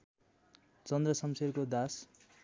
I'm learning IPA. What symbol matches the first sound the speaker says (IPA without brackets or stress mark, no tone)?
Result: t͡s